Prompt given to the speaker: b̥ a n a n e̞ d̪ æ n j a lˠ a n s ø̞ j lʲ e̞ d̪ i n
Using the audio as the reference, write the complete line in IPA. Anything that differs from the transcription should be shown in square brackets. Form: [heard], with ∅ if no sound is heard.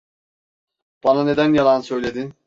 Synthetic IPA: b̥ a n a n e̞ d̪ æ n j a lˠ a n s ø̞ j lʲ e̞ d̪ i n

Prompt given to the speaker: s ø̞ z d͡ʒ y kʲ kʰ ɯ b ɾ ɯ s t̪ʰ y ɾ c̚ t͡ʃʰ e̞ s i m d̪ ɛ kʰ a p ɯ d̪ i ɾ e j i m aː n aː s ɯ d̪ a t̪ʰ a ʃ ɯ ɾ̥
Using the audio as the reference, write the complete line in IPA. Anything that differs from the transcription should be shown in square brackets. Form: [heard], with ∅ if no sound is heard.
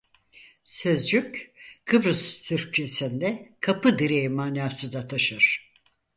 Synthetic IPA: s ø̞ z d͡ʒ y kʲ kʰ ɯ b ɾ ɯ s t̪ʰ y ɾ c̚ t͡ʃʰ e̞ s i [n] d̪ ɛ kʰ a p ɯ d̪ i ɾ e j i m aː n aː s ɯ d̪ a t̪ʰ a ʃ ɯ ɾ̥

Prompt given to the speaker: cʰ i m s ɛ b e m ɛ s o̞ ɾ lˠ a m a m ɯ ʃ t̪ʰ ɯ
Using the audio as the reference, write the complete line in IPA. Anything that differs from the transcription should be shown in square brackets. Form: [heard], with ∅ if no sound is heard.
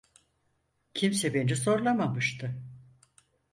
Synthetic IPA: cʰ i m s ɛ b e [n] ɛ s o̞ ɾ lˠ a m a m ɯ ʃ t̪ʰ ɯ

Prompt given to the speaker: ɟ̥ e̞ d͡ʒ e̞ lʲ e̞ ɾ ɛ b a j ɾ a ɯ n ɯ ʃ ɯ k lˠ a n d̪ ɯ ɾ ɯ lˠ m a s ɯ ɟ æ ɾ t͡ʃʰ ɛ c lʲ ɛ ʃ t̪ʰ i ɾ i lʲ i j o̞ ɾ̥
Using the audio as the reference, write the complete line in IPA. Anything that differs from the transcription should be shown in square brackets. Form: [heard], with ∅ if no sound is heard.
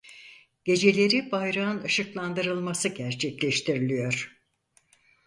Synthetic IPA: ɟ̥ e̞ d͡ʒ e̞ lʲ e̞ ɾ [i] b a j ɾ a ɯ n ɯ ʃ ɯ k lˠ a n d̪ ɯ ɾ ɯ lˠ m a s ɯ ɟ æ ɾ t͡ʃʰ ɛ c lʲ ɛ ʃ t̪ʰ i ɾ i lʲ i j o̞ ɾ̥

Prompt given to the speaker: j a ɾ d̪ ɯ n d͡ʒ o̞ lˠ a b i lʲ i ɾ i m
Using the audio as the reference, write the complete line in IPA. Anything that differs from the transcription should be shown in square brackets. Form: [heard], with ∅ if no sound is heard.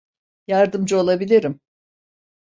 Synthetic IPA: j a ɾ d̪ ɯ [m] d͡ʒ o̞ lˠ a b i lʲ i ɾ i m

